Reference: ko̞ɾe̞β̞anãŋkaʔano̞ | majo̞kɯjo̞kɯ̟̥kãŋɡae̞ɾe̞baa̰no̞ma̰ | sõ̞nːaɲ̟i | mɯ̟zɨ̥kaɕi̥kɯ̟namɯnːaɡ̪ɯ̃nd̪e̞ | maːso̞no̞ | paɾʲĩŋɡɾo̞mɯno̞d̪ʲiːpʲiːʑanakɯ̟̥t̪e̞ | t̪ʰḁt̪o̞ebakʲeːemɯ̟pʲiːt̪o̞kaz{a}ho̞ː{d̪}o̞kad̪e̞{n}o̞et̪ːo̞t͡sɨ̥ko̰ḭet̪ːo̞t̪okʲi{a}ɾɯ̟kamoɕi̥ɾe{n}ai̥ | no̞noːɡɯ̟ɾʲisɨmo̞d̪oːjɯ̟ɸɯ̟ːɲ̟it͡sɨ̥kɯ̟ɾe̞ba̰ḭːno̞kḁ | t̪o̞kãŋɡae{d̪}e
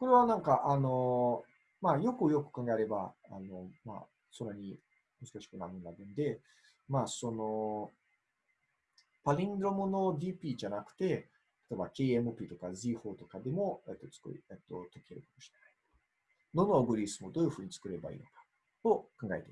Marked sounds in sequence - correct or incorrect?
incorrect: i, incorrect: t̪, incorrect: m, incorrect: e, correct, incorrect: t̪

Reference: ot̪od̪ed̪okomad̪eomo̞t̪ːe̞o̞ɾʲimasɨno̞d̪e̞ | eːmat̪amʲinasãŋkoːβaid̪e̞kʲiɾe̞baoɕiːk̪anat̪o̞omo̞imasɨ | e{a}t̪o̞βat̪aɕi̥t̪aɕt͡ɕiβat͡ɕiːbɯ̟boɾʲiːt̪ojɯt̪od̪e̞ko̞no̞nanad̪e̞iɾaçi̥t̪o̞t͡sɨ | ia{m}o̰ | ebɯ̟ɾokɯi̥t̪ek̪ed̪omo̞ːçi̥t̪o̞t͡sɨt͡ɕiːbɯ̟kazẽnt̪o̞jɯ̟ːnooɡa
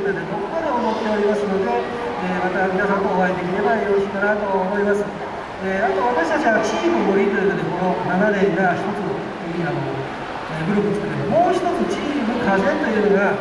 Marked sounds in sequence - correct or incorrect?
correct, incorrect: n

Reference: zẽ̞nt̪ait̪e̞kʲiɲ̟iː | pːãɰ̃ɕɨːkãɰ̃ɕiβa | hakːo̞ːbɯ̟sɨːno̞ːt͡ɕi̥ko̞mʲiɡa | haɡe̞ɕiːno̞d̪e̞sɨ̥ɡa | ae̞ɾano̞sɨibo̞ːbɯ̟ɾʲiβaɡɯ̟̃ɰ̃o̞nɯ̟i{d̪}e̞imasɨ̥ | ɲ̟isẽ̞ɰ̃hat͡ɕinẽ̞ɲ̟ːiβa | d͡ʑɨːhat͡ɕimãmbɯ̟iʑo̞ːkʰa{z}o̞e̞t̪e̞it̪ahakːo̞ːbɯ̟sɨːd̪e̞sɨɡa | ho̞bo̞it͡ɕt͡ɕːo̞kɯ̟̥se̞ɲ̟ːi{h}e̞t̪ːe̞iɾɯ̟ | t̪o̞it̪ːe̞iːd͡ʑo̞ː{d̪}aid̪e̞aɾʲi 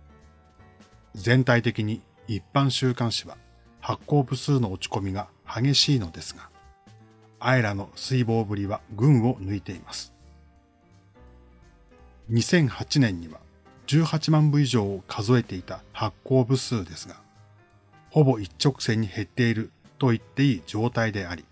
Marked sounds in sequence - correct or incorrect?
incorrect: t̪, correct, correct, incorrect: t̪

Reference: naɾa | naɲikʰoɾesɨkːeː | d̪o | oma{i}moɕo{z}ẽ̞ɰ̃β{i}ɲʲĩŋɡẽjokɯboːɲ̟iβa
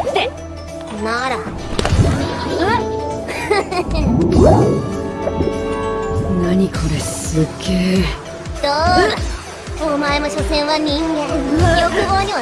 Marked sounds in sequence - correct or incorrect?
incorrect: e, incorrect: s, incorrect: a

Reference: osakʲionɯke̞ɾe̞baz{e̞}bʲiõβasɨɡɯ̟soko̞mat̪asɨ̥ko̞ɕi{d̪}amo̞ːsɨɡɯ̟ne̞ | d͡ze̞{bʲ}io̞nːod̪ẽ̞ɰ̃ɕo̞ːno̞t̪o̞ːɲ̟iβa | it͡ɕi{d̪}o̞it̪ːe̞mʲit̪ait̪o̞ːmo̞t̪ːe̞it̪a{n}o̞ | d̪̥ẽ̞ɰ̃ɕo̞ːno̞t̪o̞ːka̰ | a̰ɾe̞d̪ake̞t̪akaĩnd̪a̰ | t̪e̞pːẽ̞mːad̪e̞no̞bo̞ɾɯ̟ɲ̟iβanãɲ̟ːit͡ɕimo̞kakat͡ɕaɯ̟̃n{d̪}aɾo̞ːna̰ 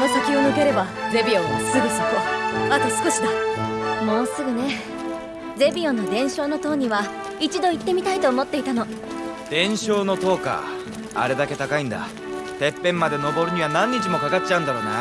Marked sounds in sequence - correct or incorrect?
correct, correct, correct, correct, correct, correct

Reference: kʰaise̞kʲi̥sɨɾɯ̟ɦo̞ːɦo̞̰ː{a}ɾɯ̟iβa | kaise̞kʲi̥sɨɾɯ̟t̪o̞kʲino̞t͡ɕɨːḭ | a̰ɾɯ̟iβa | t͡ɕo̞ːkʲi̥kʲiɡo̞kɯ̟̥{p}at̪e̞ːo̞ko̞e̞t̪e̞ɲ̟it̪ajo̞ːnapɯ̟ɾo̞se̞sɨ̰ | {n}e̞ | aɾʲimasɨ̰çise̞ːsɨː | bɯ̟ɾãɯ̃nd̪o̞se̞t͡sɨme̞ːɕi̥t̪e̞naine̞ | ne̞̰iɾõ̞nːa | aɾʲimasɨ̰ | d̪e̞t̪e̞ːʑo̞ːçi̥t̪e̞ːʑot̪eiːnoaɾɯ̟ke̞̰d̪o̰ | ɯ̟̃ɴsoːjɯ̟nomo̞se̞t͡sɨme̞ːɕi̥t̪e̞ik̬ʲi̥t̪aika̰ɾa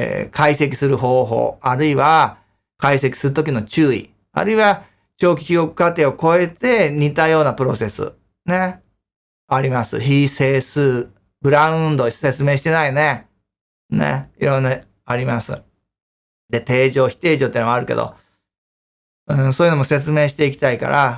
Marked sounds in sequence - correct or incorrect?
correct, incorrect: k, correct

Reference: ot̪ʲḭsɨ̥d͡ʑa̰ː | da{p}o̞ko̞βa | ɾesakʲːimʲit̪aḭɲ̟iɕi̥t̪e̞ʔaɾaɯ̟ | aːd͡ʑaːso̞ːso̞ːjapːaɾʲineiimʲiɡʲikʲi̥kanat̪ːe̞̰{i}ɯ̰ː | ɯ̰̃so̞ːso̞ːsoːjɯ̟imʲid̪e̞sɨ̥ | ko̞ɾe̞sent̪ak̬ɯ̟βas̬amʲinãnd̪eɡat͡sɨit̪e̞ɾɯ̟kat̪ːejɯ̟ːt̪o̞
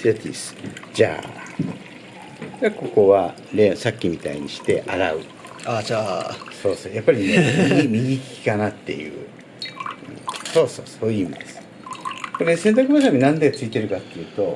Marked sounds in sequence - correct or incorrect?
incorrect: k, incorrect: j

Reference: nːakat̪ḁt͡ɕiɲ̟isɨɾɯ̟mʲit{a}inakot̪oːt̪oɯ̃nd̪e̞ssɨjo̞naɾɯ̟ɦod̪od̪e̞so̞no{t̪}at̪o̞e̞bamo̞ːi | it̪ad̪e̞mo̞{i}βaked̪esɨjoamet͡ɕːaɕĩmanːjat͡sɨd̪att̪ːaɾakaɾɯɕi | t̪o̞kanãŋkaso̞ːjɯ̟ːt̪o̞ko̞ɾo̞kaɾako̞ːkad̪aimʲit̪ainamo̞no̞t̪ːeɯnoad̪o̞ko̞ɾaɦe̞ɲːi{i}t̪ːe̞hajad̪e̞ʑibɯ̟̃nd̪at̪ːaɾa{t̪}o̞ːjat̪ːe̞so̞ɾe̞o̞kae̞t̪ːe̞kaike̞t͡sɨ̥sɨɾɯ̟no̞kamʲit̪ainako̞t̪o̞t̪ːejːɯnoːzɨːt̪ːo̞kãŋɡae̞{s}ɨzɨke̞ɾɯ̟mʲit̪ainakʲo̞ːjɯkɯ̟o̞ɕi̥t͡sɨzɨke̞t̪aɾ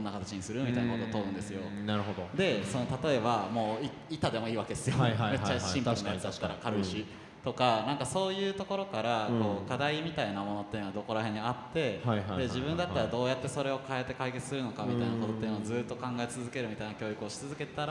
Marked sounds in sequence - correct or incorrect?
correct, correct, incorrect: iː, incorrect: a, incorrect: d̪, incorrect: t͡s

